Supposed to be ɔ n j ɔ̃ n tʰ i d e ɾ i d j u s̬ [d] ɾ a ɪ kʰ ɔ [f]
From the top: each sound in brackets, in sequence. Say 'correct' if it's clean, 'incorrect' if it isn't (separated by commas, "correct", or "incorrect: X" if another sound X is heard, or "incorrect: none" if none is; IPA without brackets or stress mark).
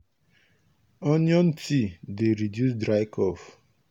correct, correct